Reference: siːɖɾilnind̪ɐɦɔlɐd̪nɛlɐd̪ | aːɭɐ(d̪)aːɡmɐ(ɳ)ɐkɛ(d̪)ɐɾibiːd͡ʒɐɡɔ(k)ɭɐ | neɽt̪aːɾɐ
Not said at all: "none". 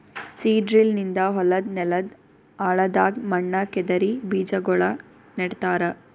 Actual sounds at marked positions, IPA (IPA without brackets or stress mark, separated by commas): d̪, ɳː, d̪, none